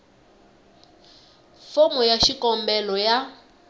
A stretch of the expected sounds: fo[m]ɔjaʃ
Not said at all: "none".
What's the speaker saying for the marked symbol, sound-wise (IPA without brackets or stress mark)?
m